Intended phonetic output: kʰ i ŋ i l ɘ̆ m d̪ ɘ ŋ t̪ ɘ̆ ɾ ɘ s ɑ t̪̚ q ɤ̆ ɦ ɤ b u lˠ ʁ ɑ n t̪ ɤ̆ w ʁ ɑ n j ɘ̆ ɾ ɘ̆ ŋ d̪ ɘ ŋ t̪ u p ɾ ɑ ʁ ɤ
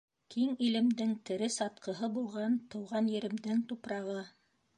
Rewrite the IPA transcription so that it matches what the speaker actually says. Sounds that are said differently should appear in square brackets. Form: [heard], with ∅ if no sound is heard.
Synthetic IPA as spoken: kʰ i ŋ i l ɘ̆ m d̪ ɘ ŋ t̪ ɘ̆ ɾ ɘ s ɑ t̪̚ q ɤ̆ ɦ ɤ b u lˠ ʁ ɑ n t̪ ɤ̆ w ʁ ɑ n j ɘ̆ ɾ ɘ̆ [m] d̪ ɘ ŋ t̪ u p ɾ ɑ ʁ ɤ